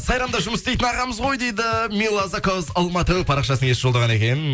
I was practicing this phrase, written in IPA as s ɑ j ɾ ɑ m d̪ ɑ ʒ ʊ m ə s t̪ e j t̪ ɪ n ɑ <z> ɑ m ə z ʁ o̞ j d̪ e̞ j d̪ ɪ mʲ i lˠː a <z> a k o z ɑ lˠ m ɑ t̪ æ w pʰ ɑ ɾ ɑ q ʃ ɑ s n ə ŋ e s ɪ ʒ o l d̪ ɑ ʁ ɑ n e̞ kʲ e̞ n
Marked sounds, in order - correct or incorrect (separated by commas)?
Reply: incorrect, correct